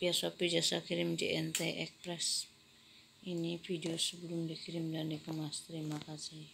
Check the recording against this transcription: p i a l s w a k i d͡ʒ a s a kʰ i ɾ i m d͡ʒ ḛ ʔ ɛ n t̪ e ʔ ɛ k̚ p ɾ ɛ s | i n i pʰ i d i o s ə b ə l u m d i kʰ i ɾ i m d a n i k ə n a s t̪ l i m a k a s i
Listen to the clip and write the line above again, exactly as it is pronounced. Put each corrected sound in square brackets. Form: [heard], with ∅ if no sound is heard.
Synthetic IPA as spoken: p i a [∅] s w a [p] i d͡ʒ a s a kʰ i ɾ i m d͡ʒ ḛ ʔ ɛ n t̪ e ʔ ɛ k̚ p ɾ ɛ s | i n i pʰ i d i o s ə b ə l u m d i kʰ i ɾ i m d a n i k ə [m] a s t̪ [ɾ] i m a k a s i